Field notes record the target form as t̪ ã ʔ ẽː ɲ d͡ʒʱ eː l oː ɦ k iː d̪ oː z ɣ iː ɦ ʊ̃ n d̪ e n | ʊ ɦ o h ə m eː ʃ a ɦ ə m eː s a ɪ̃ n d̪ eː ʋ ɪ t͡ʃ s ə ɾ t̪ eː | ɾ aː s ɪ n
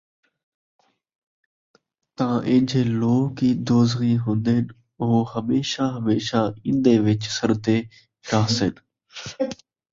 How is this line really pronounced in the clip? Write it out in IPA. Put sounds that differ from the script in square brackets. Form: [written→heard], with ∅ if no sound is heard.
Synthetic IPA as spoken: t̪ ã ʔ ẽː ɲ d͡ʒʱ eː l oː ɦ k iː d̪ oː z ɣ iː ɦ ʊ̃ n d̪ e n | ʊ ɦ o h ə m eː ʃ a ɦ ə m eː [s→ʃ] a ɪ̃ n d̪ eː ʋ ɪ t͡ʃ s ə ɾ t̪ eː | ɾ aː s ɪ n